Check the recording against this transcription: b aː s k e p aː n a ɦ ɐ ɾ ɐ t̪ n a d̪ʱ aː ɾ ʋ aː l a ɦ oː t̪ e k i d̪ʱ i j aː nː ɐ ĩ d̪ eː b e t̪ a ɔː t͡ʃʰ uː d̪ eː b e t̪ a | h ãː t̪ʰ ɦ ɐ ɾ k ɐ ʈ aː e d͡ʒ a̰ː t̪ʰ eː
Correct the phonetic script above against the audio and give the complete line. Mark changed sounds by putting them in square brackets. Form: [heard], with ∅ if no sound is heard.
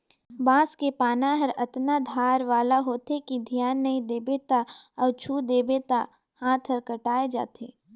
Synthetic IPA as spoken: b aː s k e p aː n a ɦ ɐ ɾ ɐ t̪ n a d̪ʱ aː ɾ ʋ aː l a ɦ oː t̪ e k i d̪ʱ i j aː nː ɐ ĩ d̪ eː b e t̪ a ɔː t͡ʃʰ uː d̪ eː b e t̪ a | h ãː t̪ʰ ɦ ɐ ɾ k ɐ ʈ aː e d͡ʒ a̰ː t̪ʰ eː